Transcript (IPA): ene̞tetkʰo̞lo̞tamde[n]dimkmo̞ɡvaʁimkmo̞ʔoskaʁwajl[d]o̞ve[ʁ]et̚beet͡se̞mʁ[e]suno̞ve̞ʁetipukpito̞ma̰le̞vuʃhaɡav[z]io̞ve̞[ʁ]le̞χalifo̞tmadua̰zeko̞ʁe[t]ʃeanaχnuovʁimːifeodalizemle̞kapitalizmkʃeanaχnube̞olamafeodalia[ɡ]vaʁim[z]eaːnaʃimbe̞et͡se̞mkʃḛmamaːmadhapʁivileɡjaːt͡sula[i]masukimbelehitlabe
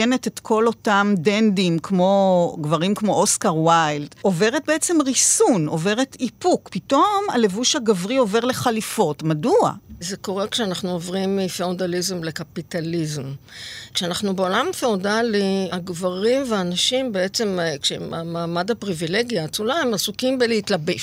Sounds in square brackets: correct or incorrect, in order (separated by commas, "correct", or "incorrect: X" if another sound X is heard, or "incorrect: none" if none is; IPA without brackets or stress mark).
correct, correct, correct, incorrect: i, incorrect: ʁ, correct, incorrect: k, correct, incorrect: v, incorrect: e